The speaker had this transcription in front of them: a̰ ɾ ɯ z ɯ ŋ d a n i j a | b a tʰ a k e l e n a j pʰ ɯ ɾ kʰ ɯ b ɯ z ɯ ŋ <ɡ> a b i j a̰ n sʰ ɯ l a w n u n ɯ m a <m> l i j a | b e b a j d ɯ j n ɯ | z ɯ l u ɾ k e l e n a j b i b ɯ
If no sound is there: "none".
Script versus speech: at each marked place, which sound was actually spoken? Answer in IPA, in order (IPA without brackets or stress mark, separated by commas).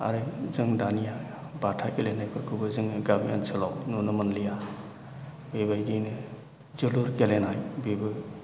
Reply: ɡ, n